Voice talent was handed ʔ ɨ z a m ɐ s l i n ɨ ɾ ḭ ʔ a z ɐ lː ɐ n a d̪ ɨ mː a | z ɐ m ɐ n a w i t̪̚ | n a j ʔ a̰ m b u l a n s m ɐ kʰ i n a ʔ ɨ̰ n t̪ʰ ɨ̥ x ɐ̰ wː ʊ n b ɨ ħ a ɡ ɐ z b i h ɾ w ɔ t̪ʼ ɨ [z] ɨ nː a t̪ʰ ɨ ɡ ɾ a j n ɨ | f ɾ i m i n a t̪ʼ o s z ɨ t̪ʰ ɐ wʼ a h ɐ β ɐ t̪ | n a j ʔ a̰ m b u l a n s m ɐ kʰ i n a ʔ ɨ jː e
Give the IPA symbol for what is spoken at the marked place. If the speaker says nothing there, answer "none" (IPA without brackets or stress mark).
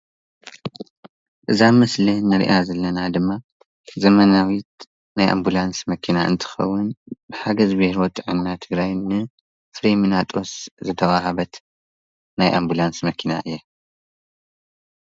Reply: ʕ